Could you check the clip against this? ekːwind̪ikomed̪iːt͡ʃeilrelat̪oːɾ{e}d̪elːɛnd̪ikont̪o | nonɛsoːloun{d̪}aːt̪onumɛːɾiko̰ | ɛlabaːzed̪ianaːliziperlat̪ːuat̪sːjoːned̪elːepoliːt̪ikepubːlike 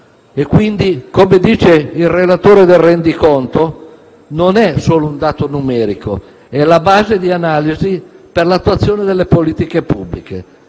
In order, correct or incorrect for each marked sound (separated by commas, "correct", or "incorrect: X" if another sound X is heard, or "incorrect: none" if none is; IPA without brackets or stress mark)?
correct, correct